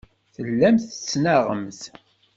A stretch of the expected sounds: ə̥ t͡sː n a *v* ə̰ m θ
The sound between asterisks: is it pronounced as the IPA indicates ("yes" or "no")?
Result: no